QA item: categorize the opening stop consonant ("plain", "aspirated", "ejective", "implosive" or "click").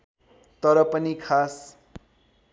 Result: plain